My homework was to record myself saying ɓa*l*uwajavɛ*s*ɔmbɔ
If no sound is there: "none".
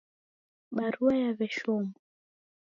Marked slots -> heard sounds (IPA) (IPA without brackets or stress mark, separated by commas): ɾ, ʃ